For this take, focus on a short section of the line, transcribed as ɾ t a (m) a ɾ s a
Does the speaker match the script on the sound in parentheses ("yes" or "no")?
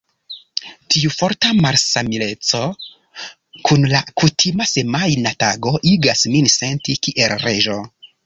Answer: yes